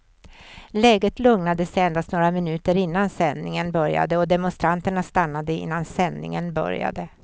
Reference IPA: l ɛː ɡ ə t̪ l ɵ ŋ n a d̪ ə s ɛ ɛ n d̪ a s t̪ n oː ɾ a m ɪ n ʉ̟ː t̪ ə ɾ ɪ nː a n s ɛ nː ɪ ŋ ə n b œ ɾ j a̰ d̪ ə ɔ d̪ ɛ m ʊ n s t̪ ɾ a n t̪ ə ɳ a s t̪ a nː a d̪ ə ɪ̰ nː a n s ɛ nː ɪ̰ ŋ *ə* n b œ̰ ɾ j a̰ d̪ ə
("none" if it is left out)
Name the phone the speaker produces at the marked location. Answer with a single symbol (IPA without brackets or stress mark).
ə